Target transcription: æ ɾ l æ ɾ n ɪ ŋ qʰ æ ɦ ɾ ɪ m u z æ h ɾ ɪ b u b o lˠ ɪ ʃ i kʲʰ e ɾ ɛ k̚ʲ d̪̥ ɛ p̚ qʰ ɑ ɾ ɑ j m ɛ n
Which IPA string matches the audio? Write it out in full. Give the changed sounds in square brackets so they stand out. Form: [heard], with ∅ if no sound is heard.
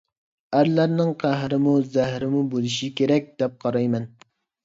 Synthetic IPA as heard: æ ɾ l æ ɾ n ɪ ŋ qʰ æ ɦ ɾ ɪ m u z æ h ɾ ɪ [m] u b o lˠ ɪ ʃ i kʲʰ e ɾ ɛ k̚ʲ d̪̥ ɛ p̚ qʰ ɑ ɾ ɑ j m ɛ n